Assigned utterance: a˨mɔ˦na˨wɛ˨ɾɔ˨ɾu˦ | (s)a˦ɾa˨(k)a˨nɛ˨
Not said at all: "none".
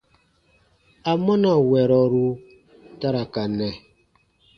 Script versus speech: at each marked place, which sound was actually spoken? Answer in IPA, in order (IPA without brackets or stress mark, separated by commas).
t, k